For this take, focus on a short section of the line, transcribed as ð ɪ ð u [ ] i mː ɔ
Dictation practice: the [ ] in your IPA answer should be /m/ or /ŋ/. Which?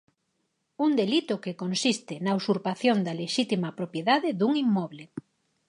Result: ŋ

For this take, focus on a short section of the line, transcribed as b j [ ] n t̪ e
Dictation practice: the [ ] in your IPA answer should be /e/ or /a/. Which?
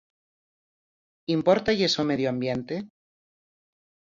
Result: e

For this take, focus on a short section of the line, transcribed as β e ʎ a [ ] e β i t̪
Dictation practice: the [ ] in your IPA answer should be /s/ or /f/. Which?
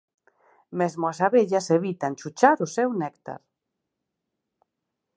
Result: s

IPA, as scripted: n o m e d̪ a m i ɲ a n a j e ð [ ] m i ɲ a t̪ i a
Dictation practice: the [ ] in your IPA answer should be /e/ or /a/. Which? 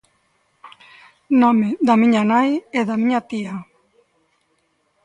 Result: a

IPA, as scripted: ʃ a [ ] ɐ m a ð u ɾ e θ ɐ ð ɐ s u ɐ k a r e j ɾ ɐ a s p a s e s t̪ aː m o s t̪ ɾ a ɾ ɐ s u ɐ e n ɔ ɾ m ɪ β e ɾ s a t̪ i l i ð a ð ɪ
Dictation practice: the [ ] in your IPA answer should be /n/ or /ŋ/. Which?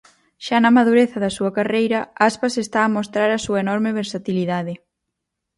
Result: n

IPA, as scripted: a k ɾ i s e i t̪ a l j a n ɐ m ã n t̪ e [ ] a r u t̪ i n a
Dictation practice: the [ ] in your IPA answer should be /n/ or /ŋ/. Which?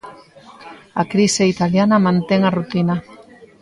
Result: ŋ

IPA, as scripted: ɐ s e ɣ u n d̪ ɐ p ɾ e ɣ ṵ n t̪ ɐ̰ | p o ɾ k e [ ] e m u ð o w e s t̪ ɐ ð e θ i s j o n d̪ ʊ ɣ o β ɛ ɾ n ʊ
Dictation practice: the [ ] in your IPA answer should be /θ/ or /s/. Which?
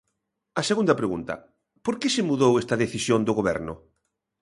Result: s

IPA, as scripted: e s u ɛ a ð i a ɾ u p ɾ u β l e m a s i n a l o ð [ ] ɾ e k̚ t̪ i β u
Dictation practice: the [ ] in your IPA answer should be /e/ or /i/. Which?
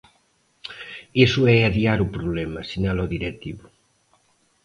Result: i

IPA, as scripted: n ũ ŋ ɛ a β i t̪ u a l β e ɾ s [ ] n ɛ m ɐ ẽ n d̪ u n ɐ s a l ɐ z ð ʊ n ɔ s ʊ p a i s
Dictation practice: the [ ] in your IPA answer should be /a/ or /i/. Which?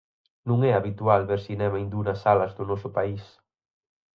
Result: i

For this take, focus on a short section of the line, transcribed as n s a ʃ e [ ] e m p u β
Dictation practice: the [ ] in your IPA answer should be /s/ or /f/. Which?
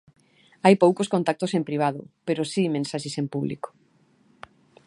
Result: s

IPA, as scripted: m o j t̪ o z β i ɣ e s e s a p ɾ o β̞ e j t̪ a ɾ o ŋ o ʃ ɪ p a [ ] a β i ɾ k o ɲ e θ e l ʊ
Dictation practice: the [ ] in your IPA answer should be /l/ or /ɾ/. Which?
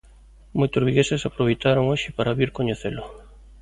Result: ɾ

